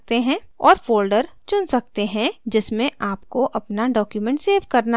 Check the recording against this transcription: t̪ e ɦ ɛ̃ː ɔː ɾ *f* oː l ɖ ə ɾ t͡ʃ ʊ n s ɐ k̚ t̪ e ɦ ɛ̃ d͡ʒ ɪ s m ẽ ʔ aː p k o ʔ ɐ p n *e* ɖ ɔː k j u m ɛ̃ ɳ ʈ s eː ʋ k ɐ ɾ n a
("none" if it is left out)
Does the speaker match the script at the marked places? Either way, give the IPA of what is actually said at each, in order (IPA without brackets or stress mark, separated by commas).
f, a